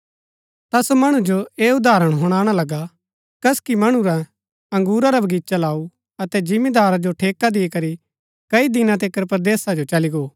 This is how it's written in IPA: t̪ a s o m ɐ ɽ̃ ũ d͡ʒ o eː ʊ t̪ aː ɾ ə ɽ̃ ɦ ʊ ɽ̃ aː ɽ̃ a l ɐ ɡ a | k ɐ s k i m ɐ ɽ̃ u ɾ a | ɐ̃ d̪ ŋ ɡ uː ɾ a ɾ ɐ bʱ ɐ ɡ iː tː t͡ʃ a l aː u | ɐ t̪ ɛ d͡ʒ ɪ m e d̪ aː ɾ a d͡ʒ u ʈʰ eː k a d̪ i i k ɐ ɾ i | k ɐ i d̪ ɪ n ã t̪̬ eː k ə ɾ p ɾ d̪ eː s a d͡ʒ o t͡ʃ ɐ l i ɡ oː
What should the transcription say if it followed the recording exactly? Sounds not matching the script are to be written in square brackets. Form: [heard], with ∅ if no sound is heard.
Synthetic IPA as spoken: t̪ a s o m ɐ ɽ̃ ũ d͡ʒ o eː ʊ [d̪] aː ɾ ə ɽ̃ ɦ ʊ ɽ̃ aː ɽ̃ a l ɐ ɡ a | k ɐ s k i m ɐ ɽ̃ u ɾ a | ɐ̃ [∅] ŋ ɡ uː ɾ a ɾ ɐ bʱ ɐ ɡ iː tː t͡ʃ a l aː u | ɐ t̪ ɛ d͡ʒ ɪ m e d̪ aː ɾ a d͡ʒ [o] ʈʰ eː k a d̪ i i k ɐ ɾ i | k ɐ i d̪ ɪ n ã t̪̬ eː k ə ɾ p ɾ d̪ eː s a d͡ʒ o t͡ʃ ɐ l i ɡ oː